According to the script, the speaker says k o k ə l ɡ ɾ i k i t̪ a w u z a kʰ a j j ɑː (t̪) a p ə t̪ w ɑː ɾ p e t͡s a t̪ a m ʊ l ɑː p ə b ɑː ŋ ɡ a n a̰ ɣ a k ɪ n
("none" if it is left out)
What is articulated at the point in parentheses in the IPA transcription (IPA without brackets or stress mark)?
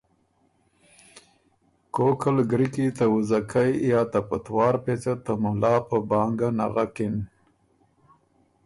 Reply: t̪